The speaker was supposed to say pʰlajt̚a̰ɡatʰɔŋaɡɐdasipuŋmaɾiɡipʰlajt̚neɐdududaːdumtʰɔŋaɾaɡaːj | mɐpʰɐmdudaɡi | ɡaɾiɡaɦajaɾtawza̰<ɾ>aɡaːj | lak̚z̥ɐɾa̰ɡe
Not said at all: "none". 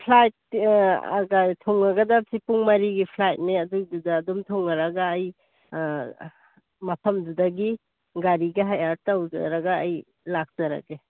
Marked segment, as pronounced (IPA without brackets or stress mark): ɾ